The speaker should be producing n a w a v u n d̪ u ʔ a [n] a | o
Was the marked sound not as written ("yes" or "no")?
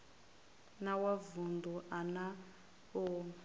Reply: no